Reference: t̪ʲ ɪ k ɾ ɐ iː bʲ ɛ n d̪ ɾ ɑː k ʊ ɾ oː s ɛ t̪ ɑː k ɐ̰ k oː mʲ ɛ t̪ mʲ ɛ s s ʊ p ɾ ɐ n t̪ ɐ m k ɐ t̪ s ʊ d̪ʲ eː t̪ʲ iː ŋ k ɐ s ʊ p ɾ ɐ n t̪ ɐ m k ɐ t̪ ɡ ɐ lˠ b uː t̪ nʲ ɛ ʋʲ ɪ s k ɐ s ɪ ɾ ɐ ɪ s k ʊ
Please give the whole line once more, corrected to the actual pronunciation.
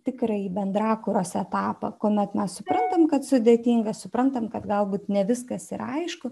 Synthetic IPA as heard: t̪ʲ ɪ k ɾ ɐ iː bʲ ɛ n d̪ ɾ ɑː k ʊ ɾ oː s ɛ t̪ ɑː p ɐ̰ k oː mʲ ɛ t̪ mʲ ɛ s s ʊ p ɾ ɐ n t̪ ɐ m k ɐ t̪ s ʊ d̪ʲ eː t̪ʲ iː ŋ ɡ ɐ s ʊ p ɾ ɐ n t̪ ɐ m k ɐ t̪ ɡ ɐ lˠ b uː t̪ nʲ ɛ ʋʲ ɪ s k ɐ s ɪ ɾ ɐ ɪ ʃ k ʊ